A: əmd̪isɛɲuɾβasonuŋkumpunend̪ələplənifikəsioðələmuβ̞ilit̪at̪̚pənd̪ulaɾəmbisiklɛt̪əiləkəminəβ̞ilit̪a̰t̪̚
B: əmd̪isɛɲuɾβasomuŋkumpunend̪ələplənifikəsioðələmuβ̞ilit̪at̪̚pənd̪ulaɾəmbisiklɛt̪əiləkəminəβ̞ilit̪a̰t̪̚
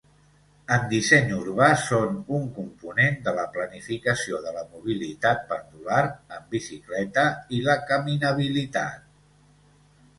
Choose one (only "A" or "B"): A